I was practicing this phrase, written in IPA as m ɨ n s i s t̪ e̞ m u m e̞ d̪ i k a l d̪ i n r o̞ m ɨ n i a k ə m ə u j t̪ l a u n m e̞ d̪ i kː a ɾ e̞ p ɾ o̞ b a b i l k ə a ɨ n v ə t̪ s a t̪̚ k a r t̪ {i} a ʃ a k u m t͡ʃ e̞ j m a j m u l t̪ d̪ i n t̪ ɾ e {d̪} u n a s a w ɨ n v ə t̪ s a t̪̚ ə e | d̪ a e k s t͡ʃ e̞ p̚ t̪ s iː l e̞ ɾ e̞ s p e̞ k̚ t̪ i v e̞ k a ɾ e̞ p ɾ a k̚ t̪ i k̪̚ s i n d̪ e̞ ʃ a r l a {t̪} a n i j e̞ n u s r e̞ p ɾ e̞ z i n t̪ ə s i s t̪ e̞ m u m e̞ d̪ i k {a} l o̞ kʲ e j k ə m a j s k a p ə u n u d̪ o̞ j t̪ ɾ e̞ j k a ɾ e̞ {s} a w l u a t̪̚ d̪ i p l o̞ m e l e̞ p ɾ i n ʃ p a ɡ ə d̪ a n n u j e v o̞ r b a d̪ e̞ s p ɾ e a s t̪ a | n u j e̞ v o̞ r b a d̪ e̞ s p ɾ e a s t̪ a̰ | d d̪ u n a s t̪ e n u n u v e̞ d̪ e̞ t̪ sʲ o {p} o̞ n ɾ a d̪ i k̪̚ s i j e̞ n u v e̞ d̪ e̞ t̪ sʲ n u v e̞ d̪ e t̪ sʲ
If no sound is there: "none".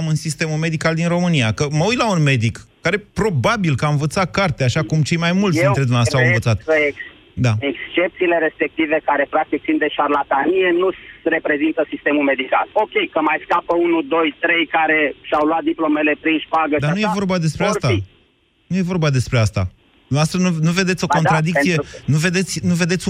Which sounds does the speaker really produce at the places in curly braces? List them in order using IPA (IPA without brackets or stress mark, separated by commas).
e, d̪, t̪, a, ʃ, k